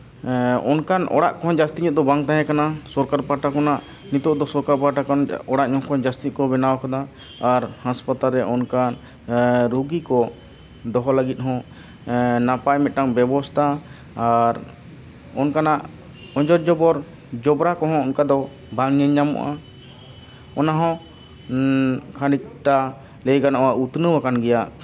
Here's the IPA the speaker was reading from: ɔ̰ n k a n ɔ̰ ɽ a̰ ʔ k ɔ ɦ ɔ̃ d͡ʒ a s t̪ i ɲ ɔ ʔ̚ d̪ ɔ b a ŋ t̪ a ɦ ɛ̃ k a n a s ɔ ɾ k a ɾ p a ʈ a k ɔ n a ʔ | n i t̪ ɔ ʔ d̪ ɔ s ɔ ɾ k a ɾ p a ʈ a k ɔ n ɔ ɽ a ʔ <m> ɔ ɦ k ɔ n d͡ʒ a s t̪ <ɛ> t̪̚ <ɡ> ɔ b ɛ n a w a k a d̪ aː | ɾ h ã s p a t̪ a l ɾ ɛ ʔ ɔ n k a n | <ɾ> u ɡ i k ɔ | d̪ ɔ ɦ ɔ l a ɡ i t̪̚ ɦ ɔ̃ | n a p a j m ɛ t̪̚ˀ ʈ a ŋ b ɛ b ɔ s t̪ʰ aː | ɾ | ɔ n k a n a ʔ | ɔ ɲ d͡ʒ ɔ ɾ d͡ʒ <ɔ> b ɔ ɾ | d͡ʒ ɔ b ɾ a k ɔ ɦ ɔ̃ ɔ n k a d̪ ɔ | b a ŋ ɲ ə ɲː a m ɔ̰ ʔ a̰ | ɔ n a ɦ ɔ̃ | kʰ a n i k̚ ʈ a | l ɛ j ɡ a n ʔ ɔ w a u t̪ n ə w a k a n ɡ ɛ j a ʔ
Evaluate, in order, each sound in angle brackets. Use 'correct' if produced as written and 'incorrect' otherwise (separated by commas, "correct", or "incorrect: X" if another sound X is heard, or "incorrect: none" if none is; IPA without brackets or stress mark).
incorrect: ɲ, incorrect: i, incorrect: k, correct, correct